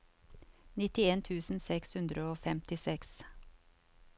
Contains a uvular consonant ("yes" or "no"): no